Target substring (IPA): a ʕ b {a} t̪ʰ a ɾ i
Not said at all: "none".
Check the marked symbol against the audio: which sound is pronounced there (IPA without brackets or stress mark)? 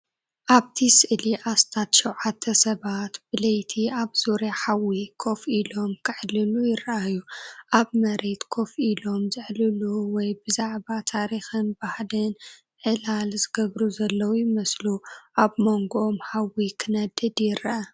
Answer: a